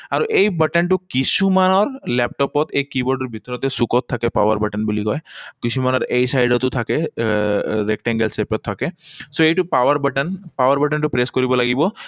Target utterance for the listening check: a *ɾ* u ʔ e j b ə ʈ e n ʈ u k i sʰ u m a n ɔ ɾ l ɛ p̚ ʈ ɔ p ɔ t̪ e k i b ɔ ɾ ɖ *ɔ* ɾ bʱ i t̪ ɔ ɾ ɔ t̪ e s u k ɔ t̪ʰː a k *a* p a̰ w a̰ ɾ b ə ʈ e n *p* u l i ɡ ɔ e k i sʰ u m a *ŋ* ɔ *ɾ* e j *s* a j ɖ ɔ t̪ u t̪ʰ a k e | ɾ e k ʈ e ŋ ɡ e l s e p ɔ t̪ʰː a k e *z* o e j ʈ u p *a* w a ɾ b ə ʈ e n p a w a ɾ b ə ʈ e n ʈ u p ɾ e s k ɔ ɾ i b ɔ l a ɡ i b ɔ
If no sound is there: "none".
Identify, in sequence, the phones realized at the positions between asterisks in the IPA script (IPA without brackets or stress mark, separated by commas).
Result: ɾ, ɔ, e, b, n, ɾ, s, s, a